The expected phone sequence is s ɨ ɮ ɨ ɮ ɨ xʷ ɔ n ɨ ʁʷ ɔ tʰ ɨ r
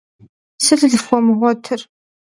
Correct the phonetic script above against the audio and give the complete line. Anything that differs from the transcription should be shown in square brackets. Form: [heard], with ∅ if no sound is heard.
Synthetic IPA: s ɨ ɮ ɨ ɮ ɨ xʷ ɔ [m] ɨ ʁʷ ɔ tʰ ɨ r